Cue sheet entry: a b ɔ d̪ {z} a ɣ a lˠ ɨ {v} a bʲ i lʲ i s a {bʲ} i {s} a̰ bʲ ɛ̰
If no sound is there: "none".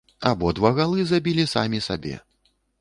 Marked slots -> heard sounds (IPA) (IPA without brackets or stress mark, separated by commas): v, z, mʲ, s